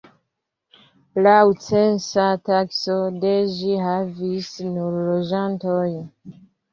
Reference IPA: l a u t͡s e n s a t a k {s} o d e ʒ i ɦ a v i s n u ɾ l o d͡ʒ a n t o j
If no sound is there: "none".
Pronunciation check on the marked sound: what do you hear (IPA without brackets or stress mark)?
s